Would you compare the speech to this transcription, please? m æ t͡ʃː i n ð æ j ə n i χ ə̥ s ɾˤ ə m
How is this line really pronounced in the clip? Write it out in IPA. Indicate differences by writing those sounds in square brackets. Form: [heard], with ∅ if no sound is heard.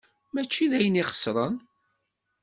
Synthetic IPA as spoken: m æ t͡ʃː i [∅] ð æ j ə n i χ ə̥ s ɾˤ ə [n]